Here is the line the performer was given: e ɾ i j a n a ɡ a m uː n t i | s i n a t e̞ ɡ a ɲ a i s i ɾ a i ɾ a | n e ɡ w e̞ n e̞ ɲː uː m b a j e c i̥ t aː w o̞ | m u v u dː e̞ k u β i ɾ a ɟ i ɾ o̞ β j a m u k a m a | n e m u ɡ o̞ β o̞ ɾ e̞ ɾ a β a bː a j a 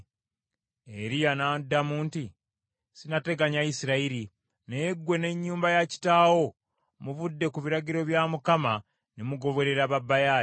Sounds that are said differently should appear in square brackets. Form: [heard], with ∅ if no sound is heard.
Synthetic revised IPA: e ɾ i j a n a [d] a m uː n t i | s i n a t e̞ ɡ a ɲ a i s i ɾ a i ɾ [i] | n e ɡ w e̞ n e̞ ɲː uː m b a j [a] c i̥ t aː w o̞ | m u v u dː e̞ k u β i ɾ a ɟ i ɾ o̞ β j a m u k a m a | n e m u ɡ o̞ β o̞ ɾ e̞ ɾ a β a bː a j a